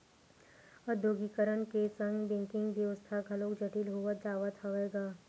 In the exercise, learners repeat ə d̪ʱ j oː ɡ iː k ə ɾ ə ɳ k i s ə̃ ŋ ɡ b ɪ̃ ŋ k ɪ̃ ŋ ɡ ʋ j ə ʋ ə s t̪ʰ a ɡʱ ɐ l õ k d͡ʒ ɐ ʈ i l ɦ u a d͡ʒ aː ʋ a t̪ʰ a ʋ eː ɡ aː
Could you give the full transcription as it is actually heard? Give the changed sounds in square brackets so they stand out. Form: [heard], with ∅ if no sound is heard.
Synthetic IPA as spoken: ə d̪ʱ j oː ɡ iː k ə ɾ ə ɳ k [e] s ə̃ ŋ ɡ b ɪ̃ ŋ k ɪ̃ ŋ ɡ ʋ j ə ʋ ə s t̪ʰ a ɡʱ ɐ l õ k d͡ʒ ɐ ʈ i l ɦ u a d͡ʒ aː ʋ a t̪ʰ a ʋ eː ɡ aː